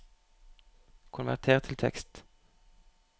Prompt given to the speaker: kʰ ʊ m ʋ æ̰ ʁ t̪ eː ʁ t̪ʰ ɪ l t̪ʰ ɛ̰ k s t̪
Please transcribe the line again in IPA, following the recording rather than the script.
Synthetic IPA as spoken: kʰ ʊ n ʋ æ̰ ʁ t̪ʰ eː ʁ t̪ʰ ɪ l t̪ʰ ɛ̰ k s t̪